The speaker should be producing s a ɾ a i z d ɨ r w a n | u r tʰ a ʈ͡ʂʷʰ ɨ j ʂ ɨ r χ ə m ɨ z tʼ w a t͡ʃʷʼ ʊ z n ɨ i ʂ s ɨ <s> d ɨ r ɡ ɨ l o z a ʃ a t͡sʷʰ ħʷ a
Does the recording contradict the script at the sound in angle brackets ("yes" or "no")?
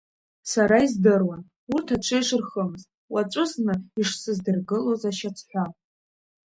yes